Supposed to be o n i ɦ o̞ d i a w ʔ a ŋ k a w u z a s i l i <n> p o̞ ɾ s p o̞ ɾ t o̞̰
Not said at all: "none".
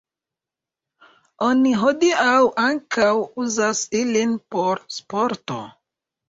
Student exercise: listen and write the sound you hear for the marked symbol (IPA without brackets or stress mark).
n